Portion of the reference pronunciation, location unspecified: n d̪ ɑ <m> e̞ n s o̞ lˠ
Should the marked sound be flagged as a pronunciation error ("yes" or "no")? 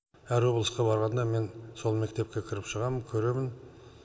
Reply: no